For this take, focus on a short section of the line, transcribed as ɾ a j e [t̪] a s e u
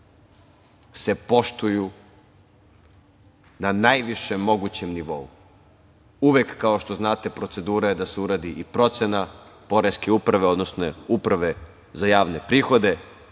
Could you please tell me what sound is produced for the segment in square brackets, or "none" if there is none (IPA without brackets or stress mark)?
d̪